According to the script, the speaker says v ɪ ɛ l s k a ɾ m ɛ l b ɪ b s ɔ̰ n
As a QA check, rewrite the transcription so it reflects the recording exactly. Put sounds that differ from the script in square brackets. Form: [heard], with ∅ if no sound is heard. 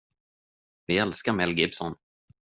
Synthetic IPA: v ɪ ɛ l s k a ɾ m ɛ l [ɡ] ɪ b s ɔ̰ n

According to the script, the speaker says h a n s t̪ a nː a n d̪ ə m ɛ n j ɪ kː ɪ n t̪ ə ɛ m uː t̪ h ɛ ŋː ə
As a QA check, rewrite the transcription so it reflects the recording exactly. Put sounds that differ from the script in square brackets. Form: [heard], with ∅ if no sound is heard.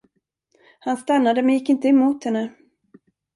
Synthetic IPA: h a n s t̪ a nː a [∅] d̪ ə m ɛ n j ɪ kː ɪ n t̪ ə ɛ m uː t̪ h ɛ [nː] ə

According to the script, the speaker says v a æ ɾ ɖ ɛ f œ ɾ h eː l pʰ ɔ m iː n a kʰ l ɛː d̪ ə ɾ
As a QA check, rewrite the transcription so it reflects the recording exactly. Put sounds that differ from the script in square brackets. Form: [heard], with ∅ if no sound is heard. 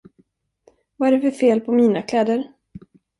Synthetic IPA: v a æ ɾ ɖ ɛ f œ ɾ [f] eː l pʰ ɔ m iː n a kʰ l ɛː d̪ ə ɾ

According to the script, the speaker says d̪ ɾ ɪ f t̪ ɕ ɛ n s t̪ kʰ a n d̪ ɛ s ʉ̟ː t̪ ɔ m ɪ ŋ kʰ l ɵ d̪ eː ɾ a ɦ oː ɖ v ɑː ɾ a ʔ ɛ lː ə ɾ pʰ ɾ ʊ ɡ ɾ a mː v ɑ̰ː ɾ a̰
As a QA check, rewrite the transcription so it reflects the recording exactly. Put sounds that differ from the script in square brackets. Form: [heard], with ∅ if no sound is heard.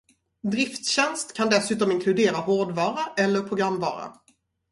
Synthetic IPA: d̪ ɾ ɪ f t̪ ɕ ɛ n s t̪ kʰ a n d̪ ɛ s ʉ̟ː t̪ ɔ m ɪ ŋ kʰ l ɵ d̪ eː ɾ a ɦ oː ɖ v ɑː ɾ a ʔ ɛ lː ə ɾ pʰ ɾ ʊ ɡ ɾ a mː v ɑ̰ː ɾ a̰

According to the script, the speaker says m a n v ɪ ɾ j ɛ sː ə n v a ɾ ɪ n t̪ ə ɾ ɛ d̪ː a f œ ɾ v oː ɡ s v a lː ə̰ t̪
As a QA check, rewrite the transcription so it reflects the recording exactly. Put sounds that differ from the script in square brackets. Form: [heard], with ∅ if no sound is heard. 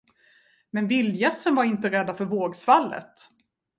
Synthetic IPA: m [ɛ] n v ɪ [l] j ɛ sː ə n v a ɾ ɪ n t̪ ə ɾ ɛ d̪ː a f œ ɾ v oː ɡ s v a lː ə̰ t̪

